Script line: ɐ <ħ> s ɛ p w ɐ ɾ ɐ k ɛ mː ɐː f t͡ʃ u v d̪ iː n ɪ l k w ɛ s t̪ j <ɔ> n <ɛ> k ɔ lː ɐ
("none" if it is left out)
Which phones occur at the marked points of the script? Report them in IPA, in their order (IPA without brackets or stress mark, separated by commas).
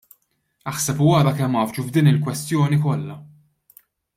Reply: ħ, ɔː, i